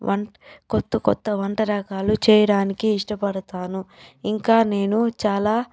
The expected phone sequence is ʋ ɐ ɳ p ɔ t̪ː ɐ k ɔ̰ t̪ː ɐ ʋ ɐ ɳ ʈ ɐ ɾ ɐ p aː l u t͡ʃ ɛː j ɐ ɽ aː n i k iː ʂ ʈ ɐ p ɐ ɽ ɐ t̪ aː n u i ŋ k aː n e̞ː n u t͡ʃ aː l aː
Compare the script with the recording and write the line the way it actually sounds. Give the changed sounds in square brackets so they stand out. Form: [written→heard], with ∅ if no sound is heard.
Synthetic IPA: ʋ ɐ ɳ [p→k] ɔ t̪ː ɐ k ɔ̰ t̪ː ɐ ʋ ɐ ɳ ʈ ɐ ɾ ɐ [p→k] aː l u t͡ʃ ɛː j ɐ ɽ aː n i k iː ʂ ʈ ɐ p ɐ ɽ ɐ t̪ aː n u i ŋ k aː n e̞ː n u t͡ʃ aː l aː